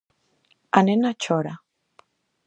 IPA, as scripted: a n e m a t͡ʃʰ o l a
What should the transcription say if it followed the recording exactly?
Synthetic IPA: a n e n a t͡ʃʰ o ɾ a